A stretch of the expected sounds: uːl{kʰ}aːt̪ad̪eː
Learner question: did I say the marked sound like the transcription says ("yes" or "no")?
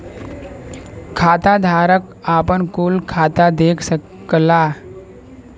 yes